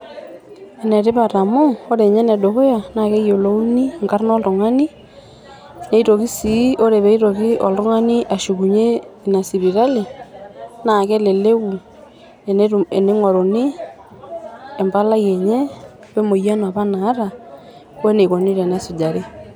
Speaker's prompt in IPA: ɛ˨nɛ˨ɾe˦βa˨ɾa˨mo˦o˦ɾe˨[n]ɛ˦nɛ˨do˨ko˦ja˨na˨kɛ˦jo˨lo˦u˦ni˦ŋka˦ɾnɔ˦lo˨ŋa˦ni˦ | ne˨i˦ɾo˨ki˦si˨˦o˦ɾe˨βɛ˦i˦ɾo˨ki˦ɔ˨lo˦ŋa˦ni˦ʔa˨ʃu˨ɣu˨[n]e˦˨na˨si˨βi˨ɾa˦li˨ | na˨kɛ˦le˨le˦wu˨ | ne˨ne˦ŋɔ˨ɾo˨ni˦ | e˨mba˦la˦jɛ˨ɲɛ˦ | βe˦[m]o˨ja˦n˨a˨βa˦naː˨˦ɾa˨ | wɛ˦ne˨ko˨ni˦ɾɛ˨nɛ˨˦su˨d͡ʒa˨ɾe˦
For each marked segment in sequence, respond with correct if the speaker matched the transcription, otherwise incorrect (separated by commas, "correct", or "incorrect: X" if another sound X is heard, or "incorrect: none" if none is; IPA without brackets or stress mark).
incorrect: ɲ, incorrect: ɲ, correct